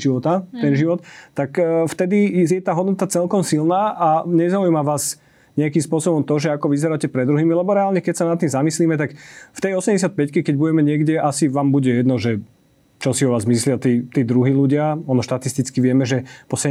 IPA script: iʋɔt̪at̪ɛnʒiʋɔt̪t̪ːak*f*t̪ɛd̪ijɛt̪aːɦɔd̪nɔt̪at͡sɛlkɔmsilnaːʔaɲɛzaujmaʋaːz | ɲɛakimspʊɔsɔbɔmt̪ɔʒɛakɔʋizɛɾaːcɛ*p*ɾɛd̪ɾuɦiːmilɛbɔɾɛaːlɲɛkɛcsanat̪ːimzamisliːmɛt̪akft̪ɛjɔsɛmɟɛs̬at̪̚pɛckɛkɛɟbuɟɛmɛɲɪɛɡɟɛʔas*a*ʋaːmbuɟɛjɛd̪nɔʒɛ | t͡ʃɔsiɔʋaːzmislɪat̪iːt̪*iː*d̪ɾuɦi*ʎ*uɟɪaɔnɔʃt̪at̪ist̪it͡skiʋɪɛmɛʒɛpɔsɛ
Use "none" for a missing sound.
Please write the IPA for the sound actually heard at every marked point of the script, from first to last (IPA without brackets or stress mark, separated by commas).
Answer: f, p, i, iː, l